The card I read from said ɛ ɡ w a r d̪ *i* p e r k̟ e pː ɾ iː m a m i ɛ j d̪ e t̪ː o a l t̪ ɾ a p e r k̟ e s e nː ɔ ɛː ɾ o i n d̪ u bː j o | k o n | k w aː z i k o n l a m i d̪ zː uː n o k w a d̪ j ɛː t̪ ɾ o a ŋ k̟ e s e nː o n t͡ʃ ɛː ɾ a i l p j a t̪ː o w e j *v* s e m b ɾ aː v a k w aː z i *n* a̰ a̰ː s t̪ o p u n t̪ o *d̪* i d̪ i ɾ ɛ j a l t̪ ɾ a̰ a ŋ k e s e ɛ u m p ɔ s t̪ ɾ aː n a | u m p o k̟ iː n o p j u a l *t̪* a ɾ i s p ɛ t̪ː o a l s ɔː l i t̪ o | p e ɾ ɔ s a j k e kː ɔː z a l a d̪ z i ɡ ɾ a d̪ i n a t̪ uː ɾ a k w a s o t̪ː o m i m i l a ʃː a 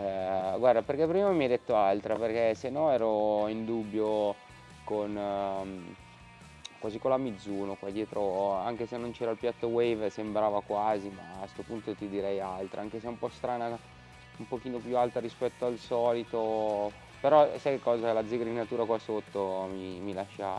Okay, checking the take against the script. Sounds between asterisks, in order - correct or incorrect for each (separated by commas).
incorrect, correct, incorrect, incorrect, correct